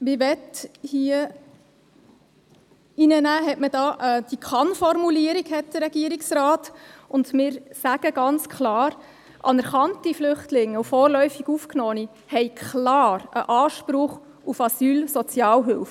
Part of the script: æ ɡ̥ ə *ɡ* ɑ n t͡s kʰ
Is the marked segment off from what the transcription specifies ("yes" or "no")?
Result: no